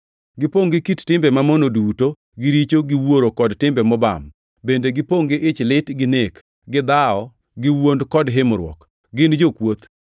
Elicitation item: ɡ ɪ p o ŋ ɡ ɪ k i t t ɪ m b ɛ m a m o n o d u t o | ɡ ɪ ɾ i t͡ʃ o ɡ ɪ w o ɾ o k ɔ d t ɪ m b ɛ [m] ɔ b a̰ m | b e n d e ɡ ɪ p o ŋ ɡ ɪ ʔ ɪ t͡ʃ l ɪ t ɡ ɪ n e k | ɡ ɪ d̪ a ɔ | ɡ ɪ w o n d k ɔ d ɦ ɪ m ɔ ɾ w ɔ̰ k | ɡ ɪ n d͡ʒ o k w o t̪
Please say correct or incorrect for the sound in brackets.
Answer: correct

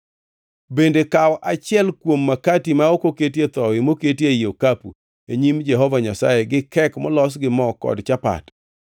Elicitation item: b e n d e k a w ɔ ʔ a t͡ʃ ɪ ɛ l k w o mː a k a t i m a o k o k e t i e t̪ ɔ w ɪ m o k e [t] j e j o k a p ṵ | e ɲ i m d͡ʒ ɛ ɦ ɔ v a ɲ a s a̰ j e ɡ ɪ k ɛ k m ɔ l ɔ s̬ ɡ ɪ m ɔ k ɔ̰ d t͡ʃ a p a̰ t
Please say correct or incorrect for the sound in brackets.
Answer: correct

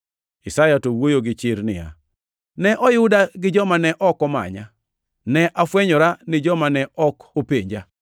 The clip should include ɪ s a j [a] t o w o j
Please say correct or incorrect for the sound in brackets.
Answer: correct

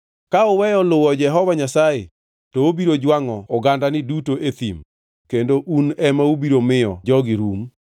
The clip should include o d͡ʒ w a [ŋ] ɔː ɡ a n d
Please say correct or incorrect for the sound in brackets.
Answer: correct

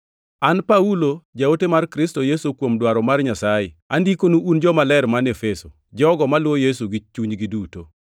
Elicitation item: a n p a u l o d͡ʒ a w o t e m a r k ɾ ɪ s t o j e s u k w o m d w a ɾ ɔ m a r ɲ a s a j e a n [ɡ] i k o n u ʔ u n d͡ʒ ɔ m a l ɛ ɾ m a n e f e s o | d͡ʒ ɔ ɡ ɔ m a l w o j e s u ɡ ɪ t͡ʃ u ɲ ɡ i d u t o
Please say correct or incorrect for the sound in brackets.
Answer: incorrect: d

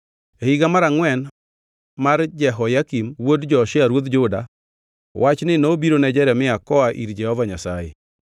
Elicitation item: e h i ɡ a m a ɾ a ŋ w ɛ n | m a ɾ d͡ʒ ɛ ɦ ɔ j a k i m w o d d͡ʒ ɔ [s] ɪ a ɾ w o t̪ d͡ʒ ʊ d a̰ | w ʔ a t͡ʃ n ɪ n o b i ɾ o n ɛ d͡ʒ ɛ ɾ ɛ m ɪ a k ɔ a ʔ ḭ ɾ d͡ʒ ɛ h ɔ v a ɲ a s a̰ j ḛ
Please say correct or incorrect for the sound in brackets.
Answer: incorrect: ʃ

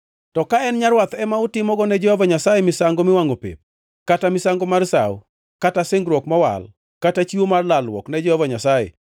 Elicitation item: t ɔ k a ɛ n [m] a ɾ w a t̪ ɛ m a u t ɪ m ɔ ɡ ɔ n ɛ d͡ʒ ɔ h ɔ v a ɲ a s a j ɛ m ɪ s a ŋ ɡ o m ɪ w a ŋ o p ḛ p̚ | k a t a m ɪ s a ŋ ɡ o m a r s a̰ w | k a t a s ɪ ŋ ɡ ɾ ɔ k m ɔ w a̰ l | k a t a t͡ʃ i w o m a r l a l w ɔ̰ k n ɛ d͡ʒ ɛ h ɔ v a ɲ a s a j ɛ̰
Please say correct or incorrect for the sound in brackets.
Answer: incorrect: ɲ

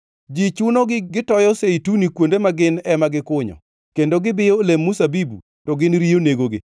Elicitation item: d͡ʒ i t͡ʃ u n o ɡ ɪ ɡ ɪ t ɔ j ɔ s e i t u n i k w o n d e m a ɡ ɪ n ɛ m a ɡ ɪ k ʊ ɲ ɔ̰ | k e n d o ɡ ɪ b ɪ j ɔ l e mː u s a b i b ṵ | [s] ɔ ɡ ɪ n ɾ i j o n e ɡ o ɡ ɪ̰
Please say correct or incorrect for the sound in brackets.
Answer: incorrect: t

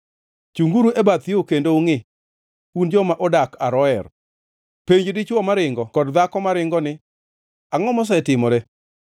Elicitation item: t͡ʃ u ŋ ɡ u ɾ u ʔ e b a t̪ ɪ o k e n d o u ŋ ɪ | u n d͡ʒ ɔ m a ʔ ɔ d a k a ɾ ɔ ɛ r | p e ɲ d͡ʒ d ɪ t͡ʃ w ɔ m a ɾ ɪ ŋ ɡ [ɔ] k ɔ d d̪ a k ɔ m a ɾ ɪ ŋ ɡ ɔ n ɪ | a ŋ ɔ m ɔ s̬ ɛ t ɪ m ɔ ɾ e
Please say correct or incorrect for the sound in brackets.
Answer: correct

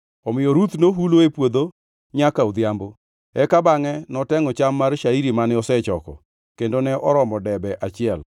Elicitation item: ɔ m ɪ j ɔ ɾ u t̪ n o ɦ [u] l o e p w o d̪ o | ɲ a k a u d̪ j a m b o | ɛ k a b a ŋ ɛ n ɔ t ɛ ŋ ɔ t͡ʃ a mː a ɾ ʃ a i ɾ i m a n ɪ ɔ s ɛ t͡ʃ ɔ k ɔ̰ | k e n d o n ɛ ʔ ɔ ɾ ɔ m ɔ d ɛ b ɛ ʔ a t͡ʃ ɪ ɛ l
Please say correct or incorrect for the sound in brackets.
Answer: correct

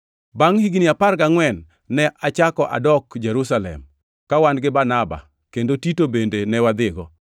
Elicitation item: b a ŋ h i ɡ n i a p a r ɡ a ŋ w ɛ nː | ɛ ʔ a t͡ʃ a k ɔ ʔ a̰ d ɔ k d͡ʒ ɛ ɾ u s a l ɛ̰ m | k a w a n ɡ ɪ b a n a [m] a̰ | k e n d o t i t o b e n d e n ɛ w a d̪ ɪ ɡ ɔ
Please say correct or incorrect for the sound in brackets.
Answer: incorrect: b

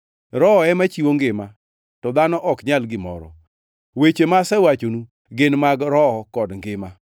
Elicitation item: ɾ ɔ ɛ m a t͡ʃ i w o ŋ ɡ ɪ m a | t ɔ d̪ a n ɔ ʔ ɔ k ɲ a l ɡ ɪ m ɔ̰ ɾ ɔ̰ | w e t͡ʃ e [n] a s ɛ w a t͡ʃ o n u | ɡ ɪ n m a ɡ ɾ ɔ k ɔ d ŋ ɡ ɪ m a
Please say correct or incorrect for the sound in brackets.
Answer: incorrect: m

